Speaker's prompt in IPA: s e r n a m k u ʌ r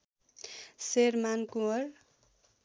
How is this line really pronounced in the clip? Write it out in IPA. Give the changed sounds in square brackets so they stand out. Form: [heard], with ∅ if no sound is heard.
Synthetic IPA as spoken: s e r [m] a [n] k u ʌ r